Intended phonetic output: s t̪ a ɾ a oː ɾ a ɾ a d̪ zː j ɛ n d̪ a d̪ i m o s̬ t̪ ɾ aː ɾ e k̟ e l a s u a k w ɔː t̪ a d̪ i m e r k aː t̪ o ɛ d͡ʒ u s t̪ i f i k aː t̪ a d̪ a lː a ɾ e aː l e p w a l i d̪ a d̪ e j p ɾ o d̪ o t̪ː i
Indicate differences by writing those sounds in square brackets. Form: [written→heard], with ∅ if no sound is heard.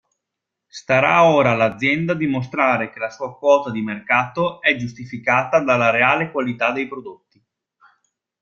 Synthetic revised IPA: s t̪ a ɾ a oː ɾ a [ɾ→l] a d̪ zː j ɛ n d̪ a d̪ i m o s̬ t̪ ɾ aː ɾ e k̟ e l a s [u→uː] a k w ɔː t̪ a d̪ i m e r k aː t̪ o ɛ d͡ʒ u s t̪ i f i k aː t̪ a d̪ a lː a ɾ e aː l e [p→k] w a l i [d̪→t̪] a d̪ e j p ɾ o d̪ o t̪ː i